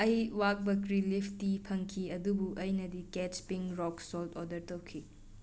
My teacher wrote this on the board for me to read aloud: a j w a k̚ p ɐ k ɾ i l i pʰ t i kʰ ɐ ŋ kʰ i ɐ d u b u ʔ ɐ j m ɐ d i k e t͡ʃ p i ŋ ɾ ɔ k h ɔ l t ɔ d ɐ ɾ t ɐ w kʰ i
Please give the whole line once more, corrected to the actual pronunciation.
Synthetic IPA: ɐ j w a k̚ b ɐ k ɾ i l i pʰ t i pʰ ɐ ŋ kʰ i ɐ d u b u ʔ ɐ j n ɐ d i k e t͡ʃ p i ŋ ɾ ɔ k s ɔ l t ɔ d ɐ ɾ t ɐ w kʰ i